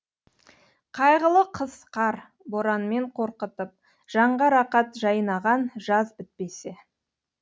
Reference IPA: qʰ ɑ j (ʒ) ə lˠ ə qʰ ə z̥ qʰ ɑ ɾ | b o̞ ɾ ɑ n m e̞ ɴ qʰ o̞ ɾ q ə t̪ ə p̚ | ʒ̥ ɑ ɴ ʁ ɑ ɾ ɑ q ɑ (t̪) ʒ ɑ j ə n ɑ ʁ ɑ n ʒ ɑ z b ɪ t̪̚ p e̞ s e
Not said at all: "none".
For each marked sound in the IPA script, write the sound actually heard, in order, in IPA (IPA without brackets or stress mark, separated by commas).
ʁ, t̪